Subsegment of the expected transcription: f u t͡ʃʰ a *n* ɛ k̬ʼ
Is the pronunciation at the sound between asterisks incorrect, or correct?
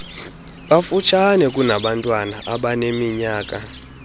correct